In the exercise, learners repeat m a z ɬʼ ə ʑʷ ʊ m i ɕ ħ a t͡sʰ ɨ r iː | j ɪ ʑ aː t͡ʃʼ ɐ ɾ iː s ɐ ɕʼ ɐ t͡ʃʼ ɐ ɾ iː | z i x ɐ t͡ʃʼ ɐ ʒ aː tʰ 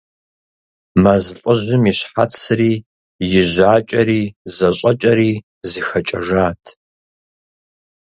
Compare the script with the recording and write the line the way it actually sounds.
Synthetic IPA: m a z ɬʼ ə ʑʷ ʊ m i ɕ ħ a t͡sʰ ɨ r iː | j ɪ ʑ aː t͡ʃʼ ɐ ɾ iː z ɐ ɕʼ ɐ t͡ʃʼ ɐ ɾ iː | z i x ɐ t͡ʃʼ ɐ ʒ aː tʰ